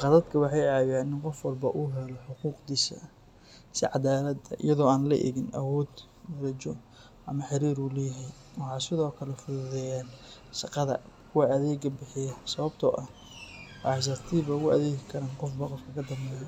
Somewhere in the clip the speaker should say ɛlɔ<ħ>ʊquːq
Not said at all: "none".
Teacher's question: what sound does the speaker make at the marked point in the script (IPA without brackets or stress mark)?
ħ